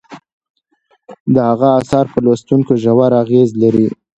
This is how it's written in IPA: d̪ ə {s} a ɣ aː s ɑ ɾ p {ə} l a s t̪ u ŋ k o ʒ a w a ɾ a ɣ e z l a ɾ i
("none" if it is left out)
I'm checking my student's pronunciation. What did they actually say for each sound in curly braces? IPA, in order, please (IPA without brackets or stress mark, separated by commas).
h, ə